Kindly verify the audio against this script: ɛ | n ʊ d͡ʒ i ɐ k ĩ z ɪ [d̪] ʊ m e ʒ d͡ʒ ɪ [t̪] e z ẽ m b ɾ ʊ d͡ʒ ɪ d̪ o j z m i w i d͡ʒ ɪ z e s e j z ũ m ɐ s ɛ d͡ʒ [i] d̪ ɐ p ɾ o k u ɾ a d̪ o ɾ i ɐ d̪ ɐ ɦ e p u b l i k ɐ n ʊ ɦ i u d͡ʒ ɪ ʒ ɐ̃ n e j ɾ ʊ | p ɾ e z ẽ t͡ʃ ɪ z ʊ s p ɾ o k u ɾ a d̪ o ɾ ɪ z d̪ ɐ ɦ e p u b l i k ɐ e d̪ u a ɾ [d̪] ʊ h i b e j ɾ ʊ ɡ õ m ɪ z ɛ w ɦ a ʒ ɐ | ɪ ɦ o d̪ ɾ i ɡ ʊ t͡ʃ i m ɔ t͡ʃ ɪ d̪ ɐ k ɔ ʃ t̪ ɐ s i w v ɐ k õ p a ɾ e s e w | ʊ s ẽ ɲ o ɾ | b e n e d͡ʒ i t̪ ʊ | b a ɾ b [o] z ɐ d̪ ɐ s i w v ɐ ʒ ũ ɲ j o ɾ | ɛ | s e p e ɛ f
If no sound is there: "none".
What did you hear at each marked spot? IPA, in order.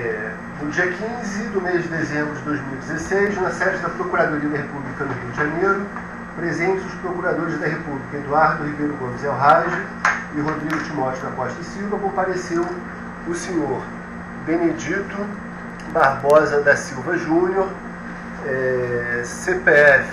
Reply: d̪, d̪, ɪ, d̪, ɔ

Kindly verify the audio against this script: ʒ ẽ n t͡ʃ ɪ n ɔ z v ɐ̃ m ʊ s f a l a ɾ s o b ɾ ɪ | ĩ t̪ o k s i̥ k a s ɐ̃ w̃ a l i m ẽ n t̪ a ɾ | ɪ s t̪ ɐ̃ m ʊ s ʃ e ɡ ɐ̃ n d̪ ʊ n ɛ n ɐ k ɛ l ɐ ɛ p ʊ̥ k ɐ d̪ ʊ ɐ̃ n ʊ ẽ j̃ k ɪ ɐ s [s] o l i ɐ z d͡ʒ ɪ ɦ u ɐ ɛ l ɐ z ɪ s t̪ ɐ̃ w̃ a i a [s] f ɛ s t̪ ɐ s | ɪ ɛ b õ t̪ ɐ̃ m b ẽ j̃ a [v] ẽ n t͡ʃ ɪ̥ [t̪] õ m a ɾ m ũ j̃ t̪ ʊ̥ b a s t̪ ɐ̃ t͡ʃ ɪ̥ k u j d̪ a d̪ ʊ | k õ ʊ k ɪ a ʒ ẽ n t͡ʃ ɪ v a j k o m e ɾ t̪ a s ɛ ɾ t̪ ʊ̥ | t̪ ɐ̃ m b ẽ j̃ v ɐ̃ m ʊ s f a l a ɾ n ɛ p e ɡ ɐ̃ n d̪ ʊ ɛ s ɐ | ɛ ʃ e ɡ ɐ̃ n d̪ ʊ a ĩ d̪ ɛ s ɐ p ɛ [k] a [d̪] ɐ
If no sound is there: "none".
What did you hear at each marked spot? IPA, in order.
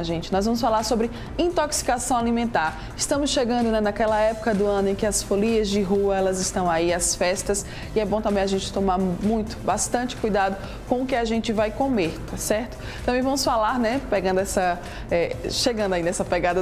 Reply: f, s, ʒ, t̪, ɡ, d̪

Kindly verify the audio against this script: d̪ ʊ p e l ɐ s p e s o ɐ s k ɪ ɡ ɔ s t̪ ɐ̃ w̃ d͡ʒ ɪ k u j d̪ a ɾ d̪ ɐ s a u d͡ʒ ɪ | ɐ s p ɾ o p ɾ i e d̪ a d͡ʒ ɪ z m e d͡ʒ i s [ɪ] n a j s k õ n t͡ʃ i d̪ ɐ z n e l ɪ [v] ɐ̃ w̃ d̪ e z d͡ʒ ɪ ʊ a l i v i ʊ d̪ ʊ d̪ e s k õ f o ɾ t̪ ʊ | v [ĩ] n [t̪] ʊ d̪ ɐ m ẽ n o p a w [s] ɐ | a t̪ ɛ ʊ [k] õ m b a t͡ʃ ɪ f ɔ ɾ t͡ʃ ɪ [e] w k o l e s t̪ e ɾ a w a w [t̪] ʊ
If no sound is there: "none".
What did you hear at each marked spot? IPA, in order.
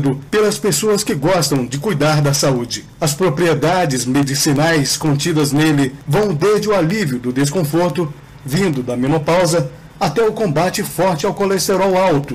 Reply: i, v, ĩ, d̪, z, k, a, t̪

